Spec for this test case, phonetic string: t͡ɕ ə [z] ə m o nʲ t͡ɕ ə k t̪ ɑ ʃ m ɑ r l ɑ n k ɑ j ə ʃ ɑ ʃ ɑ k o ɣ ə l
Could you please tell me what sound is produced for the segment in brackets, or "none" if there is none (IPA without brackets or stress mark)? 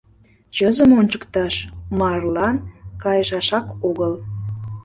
z